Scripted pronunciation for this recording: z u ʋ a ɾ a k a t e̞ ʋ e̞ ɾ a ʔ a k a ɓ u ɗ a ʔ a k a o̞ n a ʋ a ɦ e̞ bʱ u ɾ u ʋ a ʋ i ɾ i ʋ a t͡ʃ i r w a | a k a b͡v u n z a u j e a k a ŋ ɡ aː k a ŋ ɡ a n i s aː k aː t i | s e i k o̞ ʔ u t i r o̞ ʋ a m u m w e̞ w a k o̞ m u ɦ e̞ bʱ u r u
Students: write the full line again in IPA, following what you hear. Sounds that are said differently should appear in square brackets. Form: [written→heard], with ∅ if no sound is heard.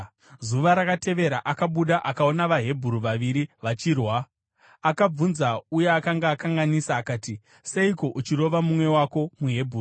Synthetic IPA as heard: z u ʋ a ɾ a k a t e̞ ʋ e̞ ɾ a ʔ a k a ɓ u ɗ a ʔ a k a o̞ n a ʋ a ɦ e̞ bʱ u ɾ u ʋ a ʋ i ɾ i ʋ a t͡ʃ i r w a | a k a b͡v u n z a u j e a k a ŋ ɡ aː k a ŋ ɡ a n i s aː k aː t i | s e i k o̞ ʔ u [t→t͡ʃ] i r o̞ ʋ a m u m w e̞ w a k o̞ m u ɦ e̞ bʱ u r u